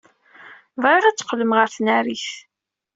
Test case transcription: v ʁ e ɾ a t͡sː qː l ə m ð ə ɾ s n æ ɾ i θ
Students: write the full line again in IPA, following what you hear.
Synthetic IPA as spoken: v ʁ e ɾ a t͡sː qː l ə m ʁ ə ɾ θ n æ ɾ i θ